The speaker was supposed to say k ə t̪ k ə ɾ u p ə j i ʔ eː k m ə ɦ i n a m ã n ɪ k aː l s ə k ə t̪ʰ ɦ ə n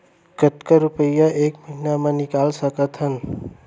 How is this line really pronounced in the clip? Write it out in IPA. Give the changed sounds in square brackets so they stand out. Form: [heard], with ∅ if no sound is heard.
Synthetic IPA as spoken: k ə t̪ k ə ɾ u p ə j [a] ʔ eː k m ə ɦ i n a m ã n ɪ k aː l s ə k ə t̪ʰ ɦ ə n